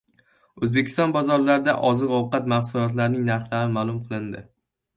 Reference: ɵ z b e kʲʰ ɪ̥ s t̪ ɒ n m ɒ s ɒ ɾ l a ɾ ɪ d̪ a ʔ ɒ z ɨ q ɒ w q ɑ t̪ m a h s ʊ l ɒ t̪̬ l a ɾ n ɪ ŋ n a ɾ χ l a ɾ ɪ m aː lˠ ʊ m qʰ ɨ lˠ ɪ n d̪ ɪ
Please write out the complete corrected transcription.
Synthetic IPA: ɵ z b e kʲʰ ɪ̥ s t̪ ɒ n b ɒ z ɒ ɾ l a ɾ ɪ d̪ a ʔ ɒ z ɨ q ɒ w q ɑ t̪ m a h s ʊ l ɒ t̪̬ l a ɾ n ɪ ŋ n a ɾ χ l a ɾ ɪ m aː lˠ ʊ m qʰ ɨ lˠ ɪ n d̪ ɪ